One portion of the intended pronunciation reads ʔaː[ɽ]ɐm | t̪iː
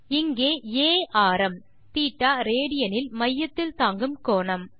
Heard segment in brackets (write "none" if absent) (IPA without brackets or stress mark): ɾ